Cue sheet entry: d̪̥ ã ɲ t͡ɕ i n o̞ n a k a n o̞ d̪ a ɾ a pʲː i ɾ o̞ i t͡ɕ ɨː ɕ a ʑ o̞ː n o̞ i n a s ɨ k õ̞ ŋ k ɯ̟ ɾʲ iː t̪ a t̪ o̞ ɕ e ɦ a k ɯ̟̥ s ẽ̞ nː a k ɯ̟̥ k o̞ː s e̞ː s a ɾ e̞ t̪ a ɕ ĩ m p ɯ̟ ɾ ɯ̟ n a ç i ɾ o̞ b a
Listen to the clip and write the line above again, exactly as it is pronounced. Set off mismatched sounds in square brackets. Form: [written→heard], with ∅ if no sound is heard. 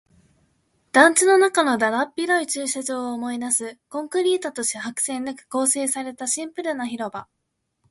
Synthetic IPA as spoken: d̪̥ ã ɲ t͡ɕ i n o̞ n a k a n o̞ d̪ a ɾ a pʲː i ɾ o̞ i t͡ɕ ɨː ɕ a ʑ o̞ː [n→m] o̞ i n a s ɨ k õ̞ ŋ k ɯ̟ ɾʲ iː t̪ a t̪ o̞ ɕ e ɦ a k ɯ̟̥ s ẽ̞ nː a k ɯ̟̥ k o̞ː s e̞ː s a ɾ e̞ t̪ a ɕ ĩ m p ɯ̟ ɾ ɯ̟ n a ç i ɾ o̞ b a